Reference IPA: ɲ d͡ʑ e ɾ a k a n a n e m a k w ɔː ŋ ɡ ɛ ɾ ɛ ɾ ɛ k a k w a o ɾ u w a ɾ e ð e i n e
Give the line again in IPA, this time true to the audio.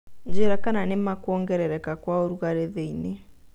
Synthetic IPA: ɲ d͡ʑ e ɾ a k a n a n e m a k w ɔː ŋ ɡ ɛ ɾ ɛ ɾ ɛ k a k w a o ɾ u ɣ a ɾ e ð e i n e